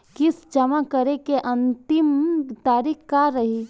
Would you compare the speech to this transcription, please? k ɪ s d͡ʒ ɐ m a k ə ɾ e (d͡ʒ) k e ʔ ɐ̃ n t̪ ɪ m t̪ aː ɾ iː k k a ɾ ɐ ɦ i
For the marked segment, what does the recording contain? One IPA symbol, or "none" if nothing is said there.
none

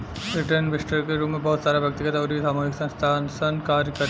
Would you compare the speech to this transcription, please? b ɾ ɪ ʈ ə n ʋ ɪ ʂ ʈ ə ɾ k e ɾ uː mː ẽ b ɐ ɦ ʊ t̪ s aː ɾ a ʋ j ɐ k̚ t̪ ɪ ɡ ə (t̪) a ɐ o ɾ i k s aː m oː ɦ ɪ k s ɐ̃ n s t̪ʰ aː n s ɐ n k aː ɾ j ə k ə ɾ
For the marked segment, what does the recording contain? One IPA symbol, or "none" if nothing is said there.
t̪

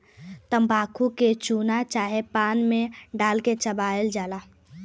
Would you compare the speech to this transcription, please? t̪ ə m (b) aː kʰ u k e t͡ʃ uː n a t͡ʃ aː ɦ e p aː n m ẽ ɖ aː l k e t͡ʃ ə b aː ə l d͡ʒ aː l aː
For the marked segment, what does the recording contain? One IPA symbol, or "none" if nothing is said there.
b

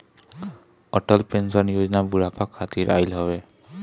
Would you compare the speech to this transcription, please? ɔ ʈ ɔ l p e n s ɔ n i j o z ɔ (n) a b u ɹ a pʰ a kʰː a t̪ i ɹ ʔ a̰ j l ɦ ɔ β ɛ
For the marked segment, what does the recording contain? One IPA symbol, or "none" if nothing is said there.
n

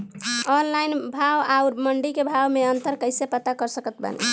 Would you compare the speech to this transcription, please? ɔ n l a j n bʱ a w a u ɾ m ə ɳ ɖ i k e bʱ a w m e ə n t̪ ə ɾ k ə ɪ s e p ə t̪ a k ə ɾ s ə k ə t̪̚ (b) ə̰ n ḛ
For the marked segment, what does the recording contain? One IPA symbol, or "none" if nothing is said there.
b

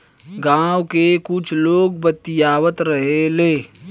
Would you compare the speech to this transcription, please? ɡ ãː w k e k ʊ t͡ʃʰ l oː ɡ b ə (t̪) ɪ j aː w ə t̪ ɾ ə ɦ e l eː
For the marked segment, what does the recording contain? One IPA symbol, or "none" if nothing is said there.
t̪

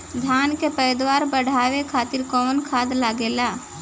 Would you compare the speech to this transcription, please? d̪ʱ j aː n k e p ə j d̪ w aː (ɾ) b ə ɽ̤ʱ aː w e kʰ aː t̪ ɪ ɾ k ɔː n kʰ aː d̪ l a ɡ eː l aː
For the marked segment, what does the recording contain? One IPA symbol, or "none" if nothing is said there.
ɾ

